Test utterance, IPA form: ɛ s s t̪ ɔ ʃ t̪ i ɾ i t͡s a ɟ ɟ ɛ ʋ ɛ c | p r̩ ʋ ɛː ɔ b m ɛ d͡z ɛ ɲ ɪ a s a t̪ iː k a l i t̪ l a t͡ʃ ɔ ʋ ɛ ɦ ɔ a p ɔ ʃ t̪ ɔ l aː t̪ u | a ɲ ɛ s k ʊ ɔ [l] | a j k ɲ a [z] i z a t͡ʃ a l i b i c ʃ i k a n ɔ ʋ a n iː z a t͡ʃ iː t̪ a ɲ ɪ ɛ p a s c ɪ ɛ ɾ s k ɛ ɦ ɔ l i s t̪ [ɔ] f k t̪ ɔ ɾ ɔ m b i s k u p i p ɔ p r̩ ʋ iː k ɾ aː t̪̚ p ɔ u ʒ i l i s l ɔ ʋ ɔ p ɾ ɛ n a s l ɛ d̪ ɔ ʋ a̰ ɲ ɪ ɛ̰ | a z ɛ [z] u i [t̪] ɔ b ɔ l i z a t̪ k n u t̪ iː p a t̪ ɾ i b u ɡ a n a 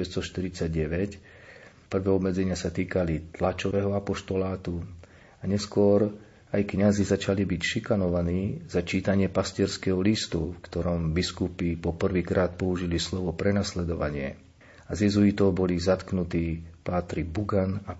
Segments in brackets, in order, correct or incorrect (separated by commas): incorrect, correct, incorrect, correct, correct